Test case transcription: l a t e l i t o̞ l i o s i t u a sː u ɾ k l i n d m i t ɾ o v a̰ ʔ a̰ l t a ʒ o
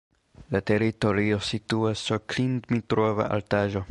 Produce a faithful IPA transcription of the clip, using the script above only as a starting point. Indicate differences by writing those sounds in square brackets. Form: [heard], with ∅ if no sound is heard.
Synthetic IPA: l a t e [ɾ] i t o̞ [ɾ] i o s i t u a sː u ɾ k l i n d m i t ɾ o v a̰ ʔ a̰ l t a ʒ o